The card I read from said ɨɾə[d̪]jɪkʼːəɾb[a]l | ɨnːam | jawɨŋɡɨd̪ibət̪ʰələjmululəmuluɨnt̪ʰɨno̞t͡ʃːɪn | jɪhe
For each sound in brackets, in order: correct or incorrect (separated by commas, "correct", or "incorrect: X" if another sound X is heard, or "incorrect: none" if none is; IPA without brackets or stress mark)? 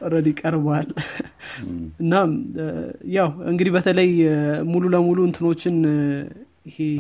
correct, correct